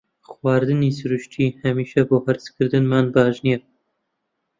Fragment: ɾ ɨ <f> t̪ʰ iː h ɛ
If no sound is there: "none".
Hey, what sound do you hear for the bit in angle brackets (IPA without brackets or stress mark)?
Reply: ʃ